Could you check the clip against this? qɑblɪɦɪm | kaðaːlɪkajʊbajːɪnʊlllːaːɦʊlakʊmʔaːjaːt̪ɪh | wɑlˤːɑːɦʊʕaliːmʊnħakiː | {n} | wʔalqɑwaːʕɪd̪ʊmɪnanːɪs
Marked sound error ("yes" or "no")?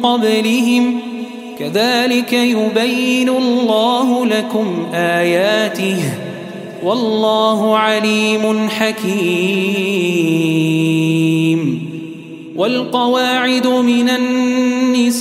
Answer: yes